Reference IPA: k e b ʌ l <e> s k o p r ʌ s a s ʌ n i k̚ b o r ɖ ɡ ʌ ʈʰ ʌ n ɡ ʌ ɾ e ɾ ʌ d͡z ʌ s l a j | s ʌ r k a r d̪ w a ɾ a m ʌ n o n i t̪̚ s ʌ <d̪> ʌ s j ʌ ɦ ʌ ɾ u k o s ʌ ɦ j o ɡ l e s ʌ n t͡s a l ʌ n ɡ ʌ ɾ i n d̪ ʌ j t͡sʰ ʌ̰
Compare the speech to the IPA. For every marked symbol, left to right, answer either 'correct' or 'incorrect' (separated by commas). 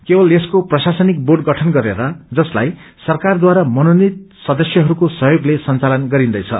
correct, correct